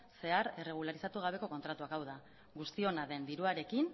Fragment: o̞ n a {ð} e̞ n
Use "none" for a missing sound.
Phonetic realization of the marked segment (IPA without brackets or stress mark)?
ð